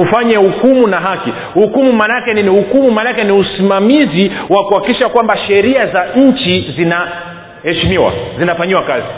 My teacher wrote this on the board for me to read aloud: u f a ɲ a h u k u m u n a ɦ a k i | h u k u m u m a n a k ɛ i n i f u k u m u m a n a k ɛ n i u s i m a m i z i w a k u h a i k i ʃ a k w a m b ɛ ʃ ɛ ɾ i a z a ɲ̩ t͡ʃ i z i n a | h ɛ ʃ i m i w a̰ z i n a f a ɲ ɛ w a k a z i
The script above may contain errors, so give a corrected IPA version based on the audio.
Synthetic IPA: u f a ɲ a h u k u m u n a ɦ a k i | h u k u m u m a n a k ɛ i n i h u k u m u m a n a k ɛ n i u s i m a m i z i w a k u h a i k i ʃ a k w a m b a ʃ ɛ ɾ i a z a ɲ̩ t͡ʃ i z i n a | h ɛ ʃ i m i w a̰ z i n a f a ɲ i w a k a z i